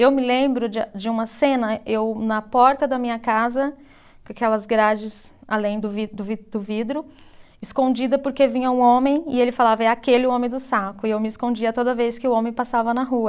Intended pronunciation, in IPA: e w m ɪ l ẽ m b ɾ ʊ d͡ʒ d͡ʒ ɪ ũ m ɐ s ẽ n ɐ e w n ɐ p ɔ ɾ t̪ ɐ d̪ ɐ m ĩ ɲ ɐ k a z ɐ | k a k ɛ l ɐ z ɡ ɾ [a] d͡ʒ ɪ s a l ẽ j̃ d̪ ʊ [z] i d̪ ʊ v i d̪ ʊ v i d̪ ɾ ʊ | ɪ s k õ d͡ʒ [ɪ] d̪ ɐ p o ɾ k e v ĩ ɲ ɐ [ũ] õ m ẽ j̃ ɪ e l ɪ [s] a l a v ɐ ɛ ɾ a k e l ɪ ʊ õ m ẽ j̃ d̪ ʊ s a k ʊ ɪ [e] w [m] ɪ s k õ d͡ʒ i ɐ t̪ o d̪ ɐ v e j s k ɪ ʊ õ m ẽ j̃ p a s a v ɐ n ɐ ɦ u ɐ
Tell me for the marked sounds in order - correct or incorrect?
correct, incorrect, incorrect, correct, incorrect, correct, correct

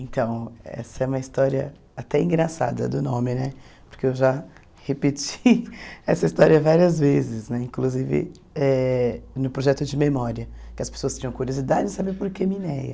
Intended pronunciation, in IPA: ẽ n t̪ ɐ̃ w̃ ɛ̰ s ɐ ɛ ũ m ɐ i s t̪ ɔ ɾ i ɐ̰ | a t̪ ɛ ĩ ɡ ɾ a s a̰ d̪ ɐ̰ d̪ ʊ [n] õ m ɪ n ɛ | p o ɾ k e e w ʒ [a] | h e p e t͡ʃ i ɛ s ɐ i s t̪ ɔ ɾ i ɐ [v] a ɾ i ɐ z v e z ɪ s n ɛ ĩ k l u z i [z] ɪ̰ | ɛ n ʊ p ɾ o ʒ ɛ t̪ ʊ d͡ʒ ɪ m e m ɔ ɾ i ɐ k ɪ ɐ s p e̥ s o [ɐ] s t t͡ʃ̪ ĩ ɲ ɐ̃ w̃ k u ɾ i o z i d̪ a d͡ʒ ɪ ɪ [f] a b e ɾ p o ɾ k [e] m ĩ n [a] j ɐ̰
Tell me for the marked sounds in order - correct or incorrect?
correct, correct, correct, incorrect, correct, incorrect, correct, incorrect

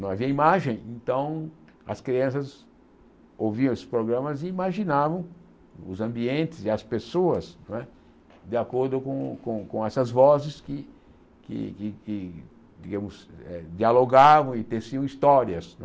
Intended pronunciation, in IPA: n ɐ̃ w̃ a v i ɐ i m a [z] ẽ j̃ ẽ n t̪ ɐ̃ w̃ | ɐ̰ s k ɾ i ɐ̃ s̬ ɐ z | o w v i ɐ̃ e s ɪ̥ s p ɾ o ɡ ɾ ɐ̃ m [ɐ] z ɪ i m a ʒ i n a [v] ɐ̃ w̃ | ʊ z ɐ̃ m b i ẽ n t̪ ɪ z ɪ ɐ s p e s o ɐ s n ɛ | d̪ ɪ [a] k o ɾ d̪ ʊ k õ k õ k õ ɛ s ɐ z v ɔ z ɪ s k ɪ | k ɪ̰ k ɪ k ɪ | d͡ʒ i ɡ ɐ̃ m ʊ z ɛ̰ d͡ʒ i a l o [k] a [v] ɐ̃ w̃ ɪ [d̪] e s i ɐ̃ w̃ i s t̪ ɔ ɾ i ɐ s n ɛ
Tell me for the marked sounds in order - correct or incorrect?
incorrect, correct, correct, correct, incorrect, correct, incorrect

